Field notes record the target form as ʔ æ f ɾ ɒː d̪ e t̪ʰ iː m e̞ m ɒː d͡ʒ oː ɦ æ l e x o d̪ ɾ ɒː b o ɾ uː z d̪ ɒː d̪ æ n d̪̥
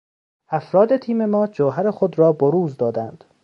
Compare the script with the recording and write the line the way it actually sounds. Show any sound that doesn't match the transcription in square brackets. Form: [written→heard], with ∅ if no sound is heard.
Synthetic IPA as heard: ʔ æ f ɾ ɒː d̪ e t̪ʰ iː m e̞ m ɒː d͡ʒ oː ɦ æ [l→ɾ] e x o d̪ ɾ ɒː b o ɾ uː z d̪ ɒː d̪ æ n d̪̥

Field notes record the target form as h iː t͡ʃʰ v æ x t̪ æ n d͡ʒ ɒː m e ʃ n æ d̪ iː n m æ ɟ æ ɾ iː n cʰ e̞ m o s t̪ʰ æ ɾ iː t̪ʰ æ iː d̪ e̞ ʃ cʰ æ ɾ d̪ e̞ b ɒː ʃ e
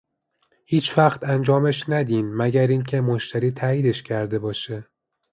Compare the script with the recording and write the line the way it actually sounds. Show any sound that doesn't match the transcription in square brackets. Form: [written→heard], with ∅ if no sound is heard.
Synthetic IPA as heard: h iː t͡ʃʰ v æ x t̪ æ n d͡ʒ ɒː m e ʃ n æ d̪ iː n m æ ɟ æ ɾ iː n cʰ e̞ m o [s→ʃ] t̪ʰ æ ɾ iː t̪ʰ æ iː d̪ e̞ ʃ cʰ æ ɾ d̪ e̞ b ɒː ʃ e

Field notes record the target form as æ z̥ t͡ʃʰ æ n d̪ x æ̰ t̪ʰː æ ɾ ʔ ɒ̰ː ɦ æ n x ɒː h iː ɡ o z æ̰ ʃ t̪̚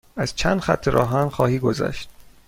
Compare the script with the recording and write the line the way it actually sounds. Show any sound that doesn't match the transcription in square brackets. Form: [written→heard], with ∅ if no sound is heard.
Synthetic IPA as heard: æ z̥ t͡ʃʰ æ n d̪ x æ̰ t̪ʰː [æ→e] ɾ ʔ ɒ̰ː ɦ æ n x ɒː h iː ɡ o z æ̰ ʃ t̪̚

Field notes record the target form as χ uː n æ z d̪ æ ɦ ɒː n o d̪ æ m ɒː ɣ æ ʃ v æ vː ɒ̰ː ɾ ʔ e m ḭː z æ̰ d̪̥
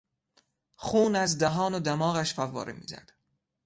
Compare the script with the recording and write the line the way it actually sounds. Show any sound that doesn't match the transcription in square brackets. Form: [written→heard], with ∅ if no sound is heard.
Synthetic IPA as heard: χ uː n æ z d̪ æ ɦ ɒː n o d̪ æ m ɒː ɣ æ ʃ [v→f] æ vː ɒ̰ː ɾ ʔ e m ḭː z æ̰ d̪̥

